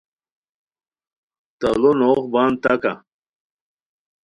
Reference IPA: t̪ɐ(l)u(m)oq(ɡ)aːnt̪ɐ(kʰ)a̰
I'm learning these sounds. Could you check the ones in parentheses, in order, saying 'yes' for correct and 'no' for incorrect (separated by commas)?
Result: yes, no, no, no